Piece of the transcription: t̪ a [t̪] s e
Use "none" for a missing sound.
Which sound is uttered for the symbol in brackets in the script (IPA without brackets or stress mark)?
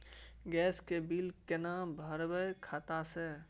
none